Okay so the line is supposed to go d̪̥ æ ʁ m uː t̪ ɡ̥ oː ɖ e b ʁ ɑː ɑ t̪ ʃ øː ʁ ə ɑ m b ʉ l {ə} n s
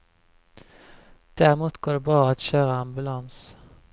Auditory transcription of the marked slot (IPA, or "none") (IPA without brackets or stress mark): ɑ